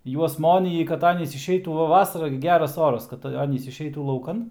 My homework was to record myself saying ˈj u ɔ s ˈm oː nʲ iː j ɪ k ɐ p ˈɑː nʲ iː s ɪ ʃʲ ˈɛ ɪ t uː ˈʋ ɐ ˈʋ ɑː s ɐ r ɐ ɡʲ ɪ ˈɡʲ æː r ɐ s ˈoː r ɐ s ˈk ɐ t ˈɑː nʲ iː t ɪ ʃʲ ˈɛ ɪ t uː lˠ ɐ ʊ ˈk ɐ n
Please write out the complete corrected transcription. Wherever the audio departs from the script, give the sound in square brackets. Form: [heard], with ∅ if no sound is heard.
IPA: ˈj u ɔ s ˈm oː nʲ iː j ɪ k ɐ [t] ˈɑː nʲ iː s ɪ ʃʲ ˈɛ ɪ t uː ˈʋ ɐ ˈʋ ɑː s ɐ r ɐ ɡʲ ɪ ˈɡʲ æː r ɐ s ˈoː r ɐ s ˈk ɐ t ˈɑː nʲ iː [s] ɪ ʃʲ ˈɛ ɪ t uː lˠ ɐ ʊ ˈk ɐ n